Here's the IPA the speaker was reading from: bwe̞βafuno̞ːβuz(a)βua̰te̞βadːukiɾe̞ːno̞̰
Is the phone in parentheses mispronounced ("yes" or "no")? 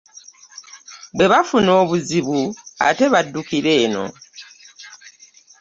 yes